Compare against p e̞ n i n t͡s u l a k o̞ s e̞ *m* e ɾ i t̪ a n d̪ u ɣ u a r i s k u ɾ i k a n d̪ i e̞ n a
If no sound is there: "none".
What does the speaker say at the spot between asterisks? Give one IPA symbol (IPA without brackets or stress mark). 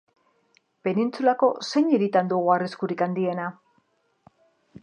ɲ